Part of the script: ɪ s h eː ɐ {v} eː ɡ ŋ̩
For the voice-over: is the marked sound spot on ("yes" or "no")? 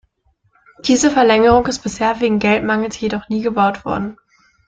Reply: yes